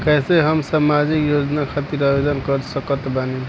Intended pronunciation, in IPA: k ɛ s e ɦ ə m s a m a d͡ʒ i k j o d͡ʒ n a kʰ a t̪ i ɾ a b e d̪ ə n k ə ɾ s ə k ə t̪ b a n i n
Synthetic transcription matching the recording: k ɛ s e ɦ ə m s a m a d͡ʒ i k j o d͡ʒ n a kʰ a t̪ i ɾ a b e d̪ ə n k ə ɾ s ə k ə t̪ b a n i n

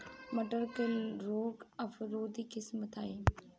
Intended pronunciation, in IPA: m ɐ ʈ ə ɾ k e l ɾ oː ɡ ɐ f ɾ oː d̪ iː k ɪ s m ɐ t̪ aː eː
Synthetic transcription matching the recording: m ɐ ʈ ə ɾ k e l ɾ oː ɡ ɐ f ɾ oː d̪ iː k ɪ s m ə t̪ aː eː

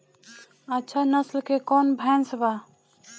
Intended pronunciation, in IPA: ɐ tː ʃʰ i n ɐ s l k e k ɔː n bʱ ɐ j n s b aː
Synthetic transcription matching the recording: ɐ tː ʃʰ a n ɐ s l k e k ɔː n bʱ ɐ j n s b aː

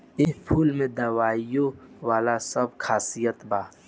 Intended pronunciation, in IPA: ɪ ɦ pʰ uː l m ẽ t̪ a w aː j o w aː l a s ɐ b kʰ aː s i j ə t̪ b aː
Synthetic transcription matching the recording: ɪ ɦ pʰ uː l m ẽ d̪ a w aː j o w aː l a s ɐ b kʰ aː s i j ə t̪ b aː

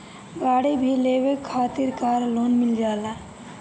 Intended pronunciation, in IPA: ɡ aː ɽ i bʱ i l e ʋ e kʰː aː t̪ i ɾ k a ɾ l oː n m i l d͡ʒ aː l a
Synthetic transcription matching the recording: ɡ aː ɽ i bʱ i l e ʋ e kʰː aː t̪ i ɾ k a ɾ l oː n m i l d͡ʒ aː l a

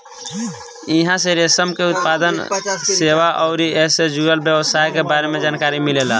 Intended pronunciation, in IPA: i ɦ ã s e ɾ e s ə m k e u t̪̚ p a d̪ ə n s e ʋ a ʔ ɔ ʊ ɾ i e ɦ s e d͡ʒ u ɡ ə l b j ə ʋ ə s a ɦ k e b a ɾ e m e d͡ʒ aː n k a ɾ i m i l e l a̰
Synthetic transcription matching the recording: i ɦ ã s e ɾ e s ə m k e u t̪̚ p a d̪ ə n s e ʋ a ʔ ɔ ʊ ɾ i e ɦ s e d͡ʒ u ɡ ə l b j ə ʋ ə s a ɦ k e b a ɾ e m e d͡ʒ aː n k a ɾ i m i l e l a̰

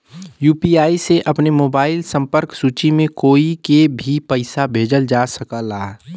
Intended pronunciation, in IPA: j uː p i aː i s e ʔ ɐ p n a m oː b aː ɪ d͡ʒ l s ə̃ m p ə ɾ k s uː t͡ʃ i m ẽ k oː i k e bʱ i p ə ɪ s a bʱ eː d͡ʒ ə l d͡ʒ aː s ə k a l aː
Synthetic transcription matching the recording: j uː p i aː i s e ʔ ɐ p n e m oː b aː ɪ l s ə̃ m p ə ɾ k s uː t͡ʃ i m ẽ k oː i k e bʱ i p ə ɪ s a bʱ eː d͡ʒ ə l d͡ʒ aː s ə k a l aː

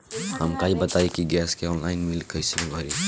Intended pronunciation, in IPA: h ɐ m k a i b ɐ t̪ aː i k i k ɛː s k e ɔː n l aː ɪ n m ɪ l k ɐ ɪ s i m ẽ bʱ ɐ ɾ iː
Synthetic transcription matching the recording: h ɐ m k a i b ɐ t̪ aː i k i ɡ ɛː s k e ɔː n l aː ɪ n m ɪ l k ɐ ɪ s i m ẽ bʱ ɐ ɾ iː

